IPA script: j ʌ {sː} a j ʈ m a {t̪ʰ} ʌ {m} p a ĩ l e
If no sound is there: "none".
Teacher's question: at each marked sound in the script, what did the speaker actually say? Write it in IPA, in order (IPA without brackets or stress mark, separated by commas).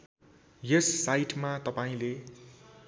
sː, t̪, none